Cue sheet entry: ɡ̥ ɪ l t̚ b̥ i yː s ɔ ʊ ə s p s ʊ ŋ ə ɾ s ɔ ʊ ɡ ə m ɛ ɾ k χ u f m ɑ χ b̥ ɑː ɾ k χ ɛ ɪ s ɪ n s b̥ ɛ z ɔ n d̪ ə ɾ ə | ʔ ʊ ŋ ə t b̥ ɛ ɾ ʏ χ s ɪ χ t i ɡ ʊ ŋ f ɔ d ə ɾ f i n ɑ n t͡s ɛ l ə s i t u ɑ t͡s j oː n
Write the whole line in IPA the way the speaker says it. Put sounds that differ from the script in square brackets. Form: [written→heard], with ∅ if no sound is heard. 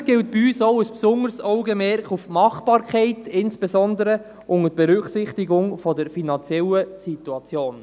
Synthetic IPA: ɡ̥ ɪ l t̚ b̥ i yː s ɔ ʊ ə s p s ʊ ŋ ə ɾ s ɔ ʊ ɡ ə m ɛ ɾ k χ u f m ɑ χ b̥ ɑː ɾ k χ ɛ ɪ [s→t] ɪ n s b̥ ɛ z ɔ n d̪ ə ɾ ə | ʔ ʊ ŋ ə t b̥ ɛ ɾ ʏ χ s ɪ χ t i ɡ ʊ ŋ f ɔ d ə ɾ f i n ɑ n t͡s ɛ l ə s i t u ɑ t͡s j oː n